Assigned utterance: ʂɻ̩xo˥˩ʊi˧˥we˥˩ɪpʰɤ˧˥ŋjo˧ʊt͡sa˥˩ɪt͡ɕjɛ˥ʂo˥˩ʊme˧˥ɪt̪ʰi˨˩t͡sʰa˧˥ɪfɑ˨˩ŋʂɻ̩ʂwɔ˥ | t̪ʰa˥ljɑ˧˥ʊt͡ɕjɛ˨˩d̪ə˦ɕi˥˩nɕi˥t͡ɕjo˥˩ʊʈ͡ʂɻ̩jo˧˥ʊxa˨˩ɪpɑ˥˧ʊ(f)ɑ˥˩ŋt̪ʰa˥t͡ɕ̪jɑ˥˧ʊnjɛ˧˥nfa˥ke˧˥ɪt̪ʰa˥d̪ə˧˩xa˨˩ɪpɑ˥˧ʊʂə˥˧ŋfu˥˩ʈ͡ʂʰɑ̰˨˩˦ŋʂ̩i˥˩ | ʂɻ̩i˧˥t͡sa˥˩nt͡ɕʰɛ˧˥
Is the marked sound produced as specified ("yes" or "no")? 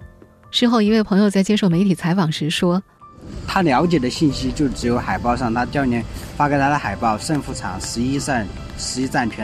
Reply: no